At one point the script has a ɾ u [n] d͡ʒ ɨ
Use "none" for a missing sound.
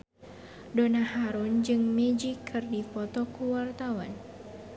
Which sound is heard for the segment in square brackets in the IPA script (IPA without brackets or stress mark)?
n